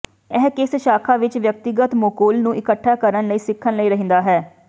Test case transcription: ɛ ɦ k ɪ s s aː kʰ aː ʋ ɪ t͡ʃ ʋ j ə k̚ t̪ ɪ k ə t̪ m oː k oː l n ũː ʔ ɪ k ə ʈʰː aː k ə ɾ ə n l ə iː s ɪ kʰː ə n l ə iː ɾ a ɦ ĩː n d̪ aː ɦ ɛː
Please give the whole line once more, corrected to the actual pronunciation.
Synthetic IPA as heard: ɛ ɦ k ɪ s ʃ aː kʰ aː ʋ ɪ t͡ʃ ʋ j ə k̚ t̪ ɪ ɡ ə t̪ m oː k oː l n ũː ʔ ɪ k ə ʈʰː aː k ə ɾ ə n l ə iː s ɪ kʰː ə n l ə iː ɾ ə ɦ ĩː n d̪ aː ɦ ɛː